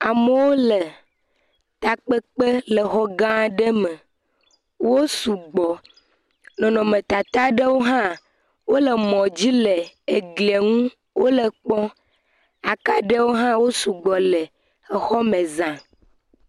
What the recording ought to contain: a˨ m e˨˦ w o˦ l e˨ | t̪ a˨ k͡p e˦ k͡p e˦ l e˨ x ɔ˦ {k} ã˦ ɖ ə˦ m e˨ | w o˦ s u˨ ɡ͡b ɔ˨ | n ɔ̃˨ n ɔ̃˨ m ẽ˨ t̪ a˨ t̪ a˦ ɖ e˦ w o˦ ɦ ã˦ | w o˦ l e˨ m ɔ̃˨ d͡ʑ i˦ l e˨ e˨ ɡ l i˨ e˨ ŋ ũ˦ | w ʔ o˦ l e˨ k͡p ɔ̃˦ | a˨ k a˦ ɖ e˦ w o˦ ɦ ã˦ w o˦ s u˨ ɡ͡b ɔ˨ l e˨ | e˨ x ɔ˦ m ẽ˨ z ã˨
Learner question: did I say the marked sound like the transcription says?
no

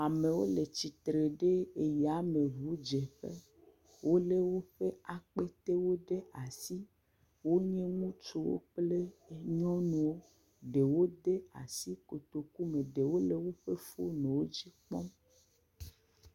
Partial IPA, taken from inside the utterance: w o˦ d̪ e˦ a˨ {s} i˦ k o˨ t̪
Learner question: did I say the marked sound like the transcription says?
yes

